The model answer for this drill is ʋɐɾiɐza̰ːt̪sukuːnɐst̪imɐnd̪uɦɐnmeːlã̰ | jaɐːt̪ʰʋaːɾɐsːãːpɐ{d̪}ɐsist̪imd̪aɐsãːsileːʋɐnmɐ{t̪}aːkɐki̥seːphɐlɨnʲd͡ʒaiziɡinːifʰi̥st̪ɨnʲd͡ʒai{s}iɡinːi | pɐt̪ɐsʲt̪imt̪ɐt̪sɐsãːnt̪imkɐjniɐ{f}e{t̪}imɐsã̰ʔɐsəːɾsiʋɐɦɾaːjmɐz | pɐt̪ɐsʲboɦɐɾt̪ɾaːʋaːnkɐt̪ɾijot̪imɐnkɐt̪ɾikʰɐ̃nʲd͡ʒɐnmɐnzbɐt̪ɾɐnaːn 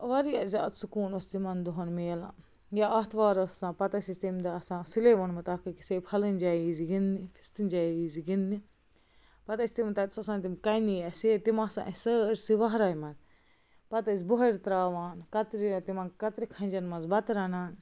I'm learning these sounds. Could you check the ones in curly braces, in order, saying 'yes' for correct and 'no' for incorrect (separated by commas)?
no, yes, no, no, yes